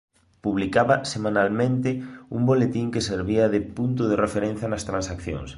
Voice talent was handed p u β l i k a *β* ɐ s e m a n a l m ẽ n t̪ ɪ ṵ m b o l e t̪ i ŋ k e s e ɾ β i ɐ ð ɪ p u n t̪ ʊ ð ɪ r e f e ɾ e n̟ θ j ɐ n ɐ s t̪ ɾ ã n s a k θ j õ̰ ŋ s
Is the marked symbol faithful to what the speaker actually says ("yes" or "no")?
yes